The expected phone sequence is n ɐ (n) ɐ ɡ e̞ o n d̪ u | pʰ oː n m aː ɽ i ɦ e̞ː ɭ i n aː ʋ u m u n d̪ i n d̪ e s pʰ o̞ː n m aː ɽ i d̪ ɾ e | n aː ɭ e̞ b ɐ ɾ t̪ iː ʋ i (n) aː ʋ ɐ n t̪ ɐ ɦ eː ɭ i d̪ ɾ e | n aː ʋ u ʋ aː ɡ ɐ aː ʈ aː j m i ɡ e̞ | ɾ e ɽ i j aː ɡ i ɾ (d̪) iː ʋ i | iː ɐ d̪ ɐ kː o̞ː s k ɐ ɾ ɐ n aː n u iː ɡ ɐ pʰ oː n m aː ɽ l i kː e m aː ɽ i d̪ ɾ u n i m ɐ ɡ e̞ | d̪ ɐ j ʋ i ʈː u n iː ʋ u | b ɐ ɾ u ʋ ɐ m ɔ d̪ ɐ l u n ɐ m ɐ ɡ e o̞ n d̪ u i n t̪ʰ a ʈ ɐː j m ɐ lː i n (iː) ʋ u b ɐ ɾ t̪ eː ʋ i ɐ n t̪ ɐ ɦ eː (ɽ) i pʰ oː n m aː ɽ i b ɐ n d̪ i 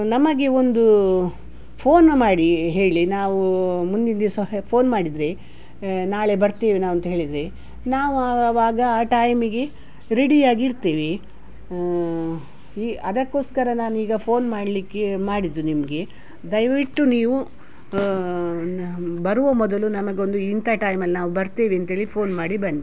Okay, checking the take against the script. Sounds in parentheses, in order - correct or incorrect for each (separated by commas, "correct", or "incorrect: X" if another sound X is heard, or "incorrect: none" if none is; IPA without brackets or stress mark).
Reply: incorrect: m, correct, incorrect: t̪, incorrect: aː, incorrect: ɭ